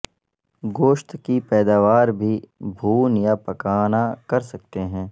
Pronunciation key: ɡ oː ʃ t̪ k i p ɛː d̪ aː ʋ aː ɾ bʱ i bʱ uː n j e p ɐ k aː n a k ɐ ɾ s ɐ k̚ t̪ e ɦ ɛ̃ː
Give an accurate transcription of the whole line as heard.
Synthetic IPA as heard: ɡ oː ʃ t̪ k i p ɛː d̪ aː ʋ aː ɾ bʱ i bʱ uː n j a p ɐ k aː n a k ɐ ɾ s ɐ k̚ t̪ e ɦ ɛ̃ː